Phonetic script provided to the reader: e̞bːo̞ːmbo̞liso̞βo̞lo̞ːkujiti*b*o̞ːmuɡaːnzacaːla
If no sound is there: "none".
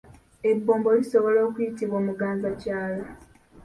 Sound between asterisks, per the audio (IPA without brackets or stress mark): β